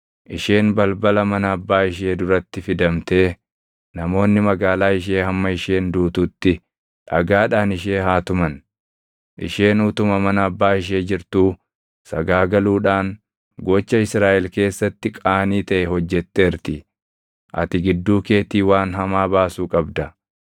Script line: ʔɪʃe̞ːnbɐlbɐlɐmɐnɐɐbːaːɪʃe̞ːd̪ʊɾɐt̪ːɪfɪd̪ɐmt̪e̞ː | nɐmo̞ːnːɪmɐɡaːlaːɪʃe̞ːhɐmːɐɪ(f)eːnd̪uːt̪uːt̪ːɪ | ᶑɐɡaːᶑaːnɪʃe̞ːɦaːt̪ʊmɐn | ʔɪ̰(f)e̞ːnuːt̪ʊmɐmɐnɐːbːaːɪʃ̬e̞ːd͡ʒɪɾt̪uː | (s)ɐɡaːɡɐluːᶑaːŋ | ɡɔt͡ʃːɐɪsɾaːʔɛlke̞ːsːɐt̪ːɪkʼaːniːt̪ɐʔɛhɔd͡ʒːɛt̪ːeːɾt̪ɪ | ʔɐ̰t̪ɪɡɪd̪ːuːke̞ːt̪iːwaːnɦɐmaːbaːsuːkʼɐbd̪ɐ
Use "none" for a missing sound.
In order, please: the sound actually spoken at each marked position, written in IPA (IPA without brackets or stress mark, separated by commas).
ʃ, ʃ, s